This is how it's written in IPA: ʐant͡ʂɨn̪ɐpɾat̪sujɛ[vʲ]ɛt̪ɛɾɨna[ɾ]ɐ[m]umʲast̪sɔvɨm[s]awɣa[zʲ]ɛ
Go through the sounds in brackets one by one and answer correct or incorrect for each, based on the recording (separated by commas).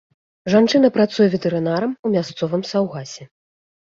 correct, correct, correct, correct, incorrect